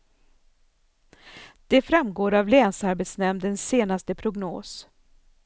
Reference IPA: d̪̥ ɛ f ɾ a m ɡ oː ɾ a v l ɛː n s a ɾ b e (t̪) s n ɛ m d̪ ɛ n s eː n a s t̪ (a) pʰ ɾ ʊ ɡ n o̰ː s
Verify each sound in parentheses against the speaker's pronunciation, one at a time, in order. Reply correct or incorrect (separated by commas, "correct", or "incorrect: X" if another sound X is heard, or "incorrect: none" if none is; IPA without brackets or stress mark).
correct, incorrect: ə